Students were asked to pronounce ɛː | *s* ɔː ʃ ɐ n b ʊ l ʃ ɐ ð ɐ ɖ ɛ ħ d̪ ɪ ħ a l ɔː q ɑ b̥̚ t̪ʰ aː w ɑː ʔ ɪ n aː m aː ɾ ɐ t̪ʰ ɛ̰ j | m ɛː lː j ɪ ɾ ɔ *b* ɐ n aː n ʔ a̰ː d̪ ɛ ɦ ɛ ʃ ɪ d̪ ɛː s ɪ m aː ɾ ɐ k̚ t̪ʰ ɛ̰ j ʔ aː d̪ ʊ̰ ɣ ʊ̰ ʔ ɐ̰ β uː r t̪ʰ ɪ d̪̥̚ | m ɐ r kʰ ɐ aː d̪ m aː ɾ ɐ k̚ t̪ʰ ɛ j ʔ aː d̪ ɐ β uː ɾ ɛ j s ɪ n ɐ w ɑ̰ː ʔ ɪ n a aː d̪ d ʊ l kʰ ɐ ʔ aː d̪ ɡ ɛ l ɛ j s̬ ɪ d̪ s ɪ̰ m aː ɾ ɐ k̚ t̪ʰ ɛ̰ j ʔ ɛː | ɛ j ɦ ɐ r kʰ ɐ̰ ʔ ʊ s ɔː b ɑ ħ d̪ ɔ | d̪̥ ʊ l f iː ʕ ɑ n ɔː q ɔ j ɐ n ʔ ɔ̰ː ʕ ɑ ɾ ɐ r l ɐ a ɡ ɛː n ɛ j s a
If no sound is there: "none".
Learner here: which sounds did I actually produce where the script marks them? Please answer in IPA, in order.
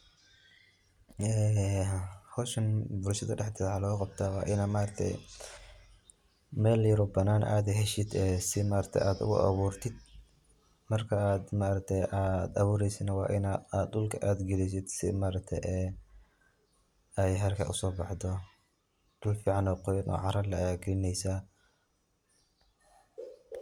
h, b

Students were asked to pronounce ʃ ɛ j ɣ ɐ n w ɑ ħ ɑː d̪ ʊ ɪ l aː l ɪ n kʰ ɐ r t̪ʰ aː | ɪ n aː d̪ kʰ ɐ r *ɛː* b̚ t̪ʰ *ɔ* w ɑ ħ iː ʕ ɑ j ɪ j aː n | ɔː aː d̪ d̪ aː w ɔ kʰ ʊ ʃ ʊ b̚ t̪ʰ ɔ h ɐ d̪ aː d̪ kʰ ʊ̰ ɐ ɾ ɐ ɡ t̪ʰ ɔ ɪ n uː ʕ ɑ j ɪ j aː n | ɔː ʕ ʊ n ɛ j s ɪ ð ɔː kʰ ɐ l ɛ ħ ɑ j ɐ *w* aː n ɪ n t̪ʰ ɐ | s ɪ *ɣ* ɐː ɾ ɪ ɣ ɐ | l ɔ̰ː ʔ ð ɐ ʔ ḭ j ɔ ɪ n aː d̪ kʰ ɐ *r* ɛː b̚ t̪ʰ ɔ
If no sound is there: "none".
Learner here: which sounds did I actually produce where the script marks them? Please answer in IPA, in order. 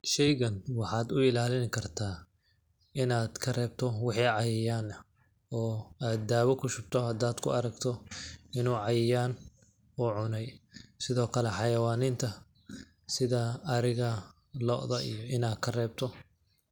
ɛː, ɔ, w, ð, r

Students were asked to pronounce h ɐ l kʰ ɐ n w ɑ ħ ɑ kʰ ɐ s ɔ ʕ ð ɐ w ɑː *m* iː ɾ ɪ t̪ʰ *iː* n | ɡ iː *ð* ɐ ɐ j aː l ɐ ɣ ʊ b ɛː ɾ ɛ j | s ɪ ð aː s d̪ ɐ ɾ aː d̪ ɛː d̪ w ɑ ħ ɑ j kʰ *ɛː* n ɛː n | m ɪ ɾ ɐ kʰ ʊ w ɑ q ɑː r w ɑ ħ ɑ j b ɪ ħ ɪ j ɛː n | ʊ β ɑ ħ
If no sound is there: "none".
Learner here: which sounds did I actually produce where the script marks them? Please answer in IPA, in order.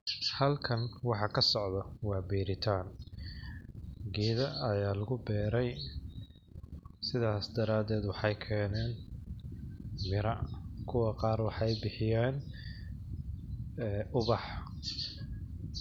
b, aː, ð, ɛː

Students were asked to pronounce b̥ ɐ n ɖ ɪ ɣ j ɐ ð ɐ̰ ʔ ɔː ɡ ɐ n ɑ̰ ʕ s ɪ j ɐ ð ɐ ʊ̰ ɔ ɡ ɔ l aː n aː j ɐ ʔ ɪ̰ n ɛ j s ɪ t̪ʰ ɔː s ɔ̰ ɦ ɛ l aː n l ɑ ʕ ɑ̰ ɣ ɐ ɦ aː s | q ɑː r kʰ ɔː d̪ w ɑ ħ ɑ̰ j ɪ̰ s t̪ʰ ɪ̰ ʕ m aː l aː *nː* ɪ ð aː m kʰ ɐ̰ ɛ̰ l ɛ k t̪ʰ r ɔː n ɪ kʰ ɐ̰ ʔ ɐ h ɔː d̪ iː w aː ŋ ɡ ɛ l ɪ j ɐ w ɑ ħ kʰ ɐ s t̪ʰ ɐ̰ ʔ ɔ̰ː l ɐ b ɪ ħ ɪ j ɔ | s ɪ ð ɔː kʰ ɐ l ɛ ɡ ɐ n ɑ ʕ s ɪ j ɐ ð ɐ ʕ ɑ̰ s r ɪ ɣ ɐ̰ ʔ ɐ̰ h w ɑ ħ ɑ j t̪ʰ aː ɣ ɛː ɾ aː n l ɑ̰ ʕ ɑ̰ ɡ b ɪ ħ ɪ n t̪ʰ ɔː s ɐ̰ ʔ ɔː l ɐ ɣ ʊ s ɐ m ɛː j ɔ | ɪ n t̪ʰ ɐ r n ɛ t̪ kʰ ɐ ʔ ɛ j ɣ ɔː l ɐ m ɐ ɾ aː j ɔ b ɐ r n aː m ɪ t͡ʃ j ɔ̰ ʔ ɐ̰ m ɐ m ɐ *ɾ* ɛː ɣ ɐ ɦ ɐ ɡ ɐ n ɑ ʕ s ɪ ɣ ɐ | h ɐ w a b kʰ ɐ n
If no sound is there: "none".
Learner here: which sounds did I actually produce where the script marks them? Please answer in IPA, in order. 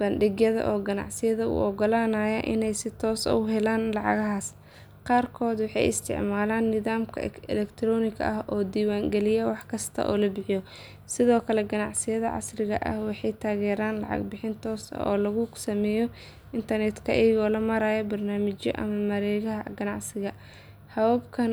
nː, ɾ

